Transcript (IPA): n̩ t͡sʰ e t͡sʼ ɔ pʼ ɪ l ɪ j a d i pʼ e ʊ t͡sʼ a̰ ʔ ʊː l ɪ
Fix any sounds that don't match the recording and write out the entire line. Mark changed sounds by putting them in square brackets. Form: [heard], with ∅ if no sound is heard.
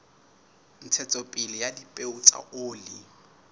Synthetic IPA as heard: n̩ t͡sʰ [ɛ] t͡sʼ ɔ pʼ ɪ l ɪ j a d i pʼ e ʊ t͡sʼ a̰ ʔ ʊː l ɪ